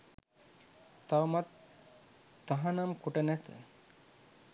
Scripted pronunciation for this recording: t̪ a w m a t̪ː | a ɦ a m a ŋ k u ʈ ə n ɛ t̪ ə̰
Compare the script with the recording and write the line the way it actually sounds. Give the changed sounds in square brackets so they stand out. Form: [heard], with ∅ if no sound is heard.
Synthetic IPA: t̪ a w m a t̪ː | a ɦ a [n] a [m] k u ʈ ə n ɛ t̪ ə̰